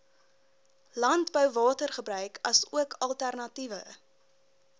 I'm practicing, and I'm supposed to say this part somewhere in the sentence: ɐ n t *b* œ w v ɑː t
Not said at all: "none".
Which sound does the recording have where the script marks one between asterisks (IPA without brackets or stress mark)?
b